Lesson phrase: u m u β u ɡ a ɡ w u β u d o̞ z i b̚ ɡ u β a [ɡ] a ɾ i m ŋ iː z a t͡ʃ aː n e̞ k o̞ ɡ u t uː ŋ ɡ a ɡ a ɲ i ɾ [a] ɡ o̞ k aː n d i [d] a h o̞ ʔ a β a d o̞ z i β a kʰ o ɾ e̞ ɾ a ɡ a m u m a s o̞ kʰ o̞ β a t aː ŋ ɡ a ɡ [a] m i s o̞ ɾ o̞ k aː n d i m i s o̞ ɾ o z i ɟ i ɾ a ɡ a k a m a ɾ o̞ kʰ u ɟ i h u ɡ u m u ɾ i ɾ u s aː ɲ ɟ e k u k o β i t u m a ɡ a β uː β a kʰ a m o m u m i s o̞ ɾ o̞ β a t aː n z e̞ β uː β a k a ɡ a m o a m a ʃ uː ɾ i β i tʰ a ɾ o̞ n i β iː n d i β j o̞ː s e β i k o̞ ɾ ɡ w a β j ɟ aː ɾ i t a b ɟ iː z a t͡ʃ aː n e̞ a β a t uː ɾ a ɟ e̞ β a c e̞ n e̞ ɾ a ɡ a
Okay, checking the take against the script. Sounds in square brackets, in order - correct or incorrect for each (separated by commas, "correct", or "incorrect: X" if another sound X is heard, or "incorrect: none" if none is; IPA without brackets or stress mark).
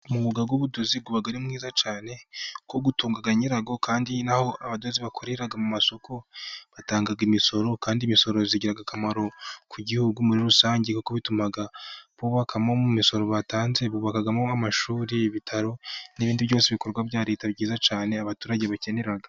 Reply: correct, correct, incorrect: n, incorrect: i